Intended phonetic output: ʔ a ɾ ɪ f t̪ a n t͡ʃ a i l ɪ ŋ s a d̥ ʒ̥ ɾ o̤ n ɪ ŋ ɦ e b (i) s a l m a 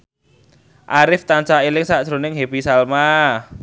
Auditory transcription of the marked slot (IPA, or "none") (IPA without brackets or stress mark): i